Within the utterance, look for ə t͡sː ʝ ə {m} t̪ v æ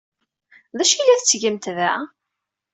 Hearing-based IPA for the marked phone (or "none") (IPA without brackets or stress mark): m